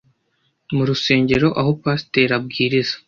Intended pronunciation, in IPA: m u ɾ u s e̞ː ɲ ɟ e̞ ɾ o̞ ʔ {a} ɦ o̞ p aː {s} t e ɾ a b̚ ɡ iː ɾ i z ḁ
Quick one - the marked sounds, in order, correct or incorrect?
correct, correct

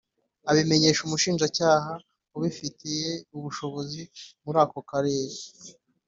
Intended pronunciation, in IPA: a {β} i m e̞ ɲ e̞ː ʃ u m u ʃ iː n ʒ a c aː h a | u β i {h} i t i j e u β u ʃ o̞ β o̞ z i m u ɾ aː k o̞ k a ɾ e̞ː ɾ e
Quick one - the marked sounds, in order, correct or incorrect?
correct, incorrect

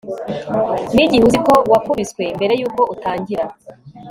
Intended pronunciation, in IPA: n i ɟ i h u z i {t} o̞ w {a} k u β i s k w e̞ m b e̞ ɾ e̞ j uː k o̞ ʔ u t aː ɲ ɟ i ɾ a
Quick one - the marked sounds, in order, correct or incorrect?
incorrect, correct

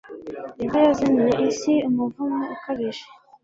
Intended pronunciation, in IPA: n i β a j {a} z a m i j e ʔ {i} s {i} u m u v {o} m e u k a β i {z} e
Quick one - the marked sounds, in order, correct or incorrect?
correct, correct, correct, incorrect, incorrect

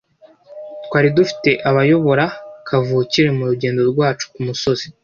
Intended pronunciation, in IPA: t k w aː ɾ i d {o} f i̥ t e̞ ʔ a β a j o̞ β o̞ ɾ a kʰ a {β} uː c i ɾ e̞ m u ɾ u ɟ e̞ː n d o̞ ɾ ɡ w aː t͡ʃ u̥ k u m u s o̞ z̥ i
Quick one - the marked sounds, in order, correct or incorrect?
incorrect, incorrect

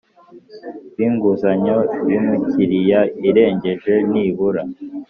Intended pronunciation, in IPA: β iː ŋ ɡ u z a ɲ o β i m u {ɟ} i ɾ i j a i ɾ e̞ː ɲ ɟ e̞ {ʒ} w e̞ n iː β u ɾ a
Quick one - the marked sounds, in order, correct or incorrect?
incorrect, correct

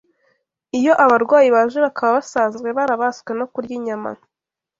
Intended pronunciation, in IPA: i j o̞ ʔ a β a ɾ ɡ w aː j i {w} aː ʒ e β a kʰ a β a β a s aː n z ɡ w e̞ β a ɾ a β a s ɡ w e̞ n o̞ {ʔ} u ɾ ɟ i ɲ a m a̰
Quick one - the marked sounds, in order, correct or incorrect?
incorrect, incorrect

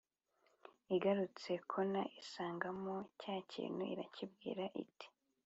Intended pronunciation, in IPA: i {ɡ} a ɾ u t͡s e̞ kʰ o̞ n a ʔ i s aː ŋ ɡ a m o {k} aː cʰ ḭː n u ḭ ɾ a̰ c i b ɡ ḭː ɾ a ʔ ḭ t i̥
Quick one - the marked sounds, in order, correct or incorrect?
correct, incorrect

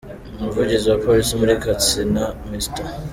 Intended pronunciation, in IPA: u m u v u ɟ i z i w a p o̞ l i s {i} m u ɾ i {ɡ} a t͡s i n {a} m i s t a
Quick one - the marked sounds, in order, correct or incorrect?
correct, incorrect, correct

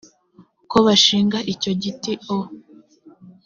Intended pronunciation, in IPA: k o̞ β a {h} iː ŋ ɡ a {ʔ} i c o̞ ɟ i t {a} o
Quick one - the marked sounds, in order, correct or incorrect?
incorrect, correct, incorrect

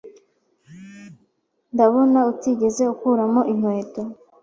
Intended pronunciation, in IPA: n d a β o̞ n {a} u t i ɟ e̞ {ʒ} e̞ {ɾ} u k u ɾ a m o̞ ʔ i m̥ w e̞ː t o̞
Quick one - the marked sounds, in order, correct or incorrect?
correct, incorrect, incorrect

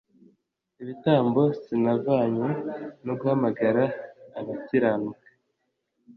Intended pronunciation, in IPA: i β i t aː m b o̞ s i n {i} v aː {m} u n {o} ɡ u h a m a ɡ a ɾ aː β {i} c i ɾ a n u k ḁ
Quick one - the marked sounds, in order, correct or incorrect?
incorrect, incorrect, correct, incorrect

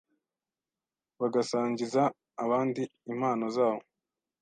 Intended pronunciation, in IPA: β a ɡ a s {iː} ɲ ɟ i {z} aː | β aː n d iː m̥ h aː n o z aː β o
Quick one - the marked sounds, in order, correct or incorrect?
incorrect, correct

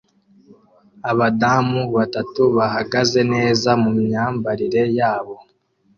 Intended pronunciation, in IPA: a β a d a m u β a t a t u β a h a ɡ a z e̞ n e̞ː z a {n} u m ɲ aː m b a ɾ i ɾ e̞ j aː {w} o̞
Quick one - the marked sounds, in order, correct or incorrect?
incorrect, incorrect

